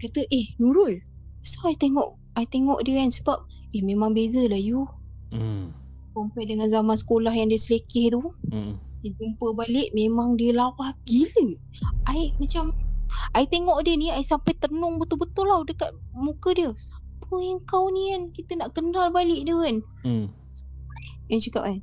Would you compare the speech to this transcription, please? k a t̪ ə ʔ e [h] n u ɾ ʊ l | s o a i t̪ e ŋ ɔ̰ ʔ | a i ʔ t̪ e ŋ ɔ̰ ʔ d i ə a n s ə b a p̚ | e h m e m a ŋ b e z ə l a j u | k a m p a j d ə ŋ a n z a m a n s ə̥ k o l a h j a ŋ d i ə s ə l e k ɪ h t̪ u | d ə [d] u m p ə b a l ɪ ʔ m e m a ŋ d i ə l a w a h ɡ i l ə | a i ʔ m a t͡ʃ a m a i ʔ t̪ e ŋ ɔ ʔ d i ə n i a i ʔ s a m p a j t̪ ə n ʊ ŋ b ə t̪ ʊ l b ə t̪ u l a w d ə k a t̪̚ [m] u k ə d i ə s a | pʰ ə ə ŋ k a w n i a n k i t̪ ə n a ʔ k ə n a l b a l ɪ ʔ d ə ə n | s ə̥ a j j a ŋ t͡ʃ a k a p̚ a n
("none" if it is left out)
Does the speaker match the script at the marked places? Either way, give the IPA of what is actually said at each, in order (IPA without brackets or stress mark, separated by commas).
h, d͡ʒ, m